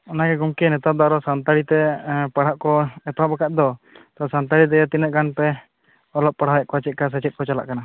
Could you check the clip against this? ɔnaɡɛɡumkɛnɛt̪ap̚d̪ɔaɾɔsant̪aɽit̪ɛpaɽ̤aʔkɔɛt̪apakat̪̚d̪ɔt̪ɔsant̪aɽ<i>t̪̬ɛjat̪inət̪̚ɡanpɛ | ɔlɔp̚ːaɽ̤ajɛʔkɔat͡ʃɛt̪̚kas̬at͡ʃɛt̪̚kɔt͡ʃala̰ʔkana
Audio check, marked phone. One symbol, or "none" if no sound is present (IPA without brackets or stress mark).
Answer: i